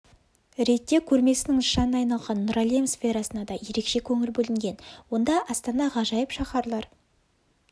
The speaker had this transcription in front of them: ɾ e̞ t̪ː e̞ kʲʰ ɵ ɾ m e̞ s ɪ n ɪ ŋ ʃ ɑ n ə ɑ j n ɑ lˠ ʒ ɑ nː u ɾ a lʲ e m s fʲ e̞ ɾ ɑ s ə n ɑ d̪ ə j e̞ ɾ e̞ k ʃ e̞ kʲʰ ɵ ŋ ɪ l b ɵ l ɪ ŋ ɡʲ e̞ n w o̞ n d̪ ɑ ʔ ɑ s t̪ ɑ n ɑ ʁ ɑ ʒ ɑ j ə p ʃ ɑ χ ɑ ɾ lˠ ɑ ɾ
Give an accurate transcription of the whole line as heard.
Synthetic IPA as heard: ɾ e̞ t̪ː e̞ kʲʰ ɵ ɾ m e̞ s ɪ n ɪ ŋ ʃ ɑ n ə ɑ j n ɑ lˠ ʁ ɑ nː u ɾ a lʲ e m s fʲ e̞ ɾ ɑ s ə n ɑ d̪ ɑ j e̞ ɾ e̞ k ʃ e̞ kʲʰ ɵ ŋ ɪ l b ɵ l ɪ ŋ ɡʲ e̞ n w o̞ n d̪ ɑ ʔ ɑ s t̪ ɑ n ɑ ʁ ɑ ʒ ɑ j ə p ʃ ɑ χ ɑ ɾ lˠ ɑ ɾ